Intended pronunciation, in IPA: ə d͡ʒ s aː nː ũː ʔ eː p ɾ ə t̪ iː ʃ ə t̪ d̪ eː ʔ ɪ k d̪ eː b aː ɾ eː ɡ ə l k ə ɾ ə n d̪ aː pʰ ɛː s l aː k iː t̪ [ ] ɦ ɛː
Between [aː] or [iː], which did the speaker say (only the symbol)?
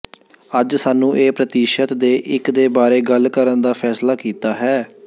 aː